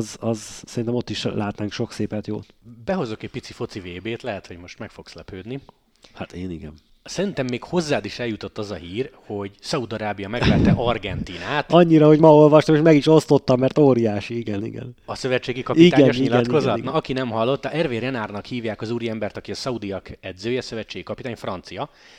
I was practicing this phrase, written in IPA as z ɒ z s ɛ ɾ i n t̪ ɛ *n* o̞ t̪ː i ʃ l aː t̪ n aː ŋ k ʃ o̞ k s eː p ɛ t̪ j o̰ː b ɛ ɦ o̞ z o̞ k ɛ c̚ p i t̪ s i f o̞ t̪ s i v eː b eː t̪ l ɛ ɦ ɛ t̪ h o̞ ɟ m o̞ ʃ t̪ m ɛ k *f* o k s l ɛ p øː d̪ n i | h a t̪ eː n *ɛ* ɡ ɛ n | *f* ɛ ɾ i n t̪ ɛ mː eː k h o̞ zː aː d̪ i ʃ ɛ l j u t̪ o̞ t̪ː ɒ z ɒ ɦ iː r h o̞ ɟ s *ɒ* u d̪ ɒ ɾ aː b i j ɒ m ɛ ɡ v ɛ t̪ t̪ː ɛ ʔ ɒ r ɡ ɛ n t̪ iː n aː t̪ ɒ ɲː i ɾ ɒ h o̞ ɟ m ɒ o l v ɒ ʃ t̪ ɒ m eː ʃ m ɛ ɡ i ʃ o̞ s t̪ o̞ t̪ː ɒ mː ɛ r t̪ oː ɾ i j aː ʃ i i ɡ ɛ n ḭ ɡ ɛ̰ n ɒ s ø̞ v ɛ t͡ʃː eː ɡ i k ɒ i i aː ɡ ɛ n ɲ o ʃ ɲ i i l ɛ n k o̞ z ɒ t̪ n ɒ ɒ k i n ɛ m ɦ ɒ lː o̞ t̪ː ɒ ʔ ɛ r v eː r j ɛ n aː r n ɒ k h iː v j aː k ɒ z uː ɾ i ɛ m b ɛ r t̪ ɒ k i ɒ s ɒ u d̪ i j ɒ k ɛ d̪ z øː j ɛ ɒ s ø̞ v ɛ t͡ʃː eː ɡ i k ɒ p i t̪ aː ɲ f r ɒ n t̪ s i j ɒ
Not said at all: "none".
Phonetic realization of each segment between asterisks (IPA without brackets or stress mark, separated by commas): m, f, i, s, ɒ